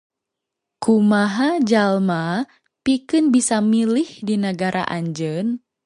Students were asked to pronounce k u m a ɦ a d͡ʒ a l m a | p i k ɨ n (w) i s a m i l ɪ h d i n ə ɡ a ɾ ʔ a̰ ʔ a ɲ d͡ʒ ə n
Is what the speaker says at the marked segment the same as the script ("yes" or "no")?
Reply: no